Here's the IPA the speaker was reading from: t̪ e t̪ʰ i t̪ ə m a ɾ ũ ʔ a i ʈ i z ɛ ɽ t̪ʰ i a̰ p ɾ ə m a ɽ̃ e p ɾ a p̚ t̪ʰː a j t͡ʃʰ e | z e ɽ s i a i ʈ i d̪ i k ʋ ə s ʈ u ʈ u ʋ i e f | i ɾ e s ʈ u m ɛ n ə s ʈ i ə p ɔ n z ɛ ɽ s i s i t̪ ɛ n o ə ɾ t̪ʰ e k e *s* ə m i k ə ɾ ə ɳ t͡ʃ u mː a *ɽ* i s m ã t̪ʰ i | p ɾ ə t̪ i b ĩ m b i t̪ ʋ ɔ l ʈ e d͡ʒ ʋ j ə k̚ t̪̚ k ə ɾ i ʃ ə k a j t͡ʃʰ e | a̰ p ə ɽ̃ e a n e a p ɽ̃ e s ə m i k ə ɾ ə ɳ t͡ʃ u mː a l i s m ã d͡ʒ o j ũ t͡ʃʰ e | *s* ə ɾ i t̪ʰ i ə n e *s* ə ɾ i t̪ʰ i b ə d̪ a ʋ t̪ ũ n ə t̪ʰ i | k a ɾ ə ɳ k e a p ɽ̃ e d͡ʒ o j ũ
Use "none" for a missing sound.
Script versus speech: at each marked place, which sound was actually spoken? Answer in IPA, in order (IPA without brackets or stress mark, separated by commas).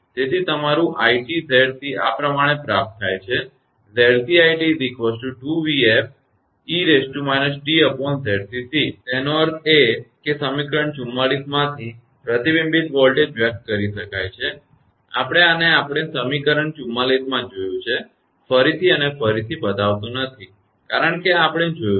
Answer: s, l, f, f